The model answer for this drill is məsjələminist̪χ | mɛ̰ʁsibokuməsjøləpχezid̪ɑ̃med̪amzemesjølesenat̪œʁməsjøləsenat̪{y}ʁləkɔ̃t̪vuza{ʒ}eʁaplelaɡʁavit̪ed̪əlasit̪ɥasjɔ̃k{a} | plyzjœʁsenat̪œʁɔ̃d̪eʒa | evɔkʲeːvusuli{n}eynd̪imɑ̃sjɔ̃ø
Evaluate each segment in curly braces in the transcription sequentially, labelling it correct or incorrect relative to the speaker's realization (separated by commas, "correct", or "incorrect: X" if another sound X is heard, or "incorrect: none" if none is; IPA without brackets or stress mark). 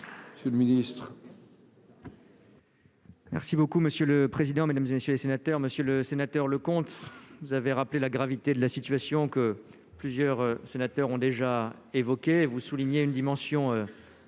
incorrect: œ, incorrect: v, incorrect: ə, incorrect: ɲ